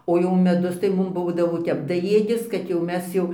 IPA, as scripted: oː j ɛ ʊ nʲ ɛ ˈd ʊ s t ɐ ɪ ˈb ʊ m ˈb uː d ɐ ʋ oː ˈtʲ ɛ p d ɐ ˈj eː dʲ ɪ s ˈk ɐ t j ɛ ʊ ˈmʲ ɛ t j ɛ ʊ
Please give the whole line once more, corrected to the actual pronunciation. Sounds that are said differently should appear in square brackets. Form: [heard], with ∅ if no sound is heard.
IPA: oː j ɛ ʊ [mʲ] ɛ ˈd ʊ s t ɐ ɪ [ˈm] ʊ m ˈb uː d ɐ ʋ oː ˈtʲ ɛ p d ɐ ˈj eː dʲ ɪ s ˈk ɐ t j ɛ ʊ ˈmʲ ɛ [s] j ɛ ʊ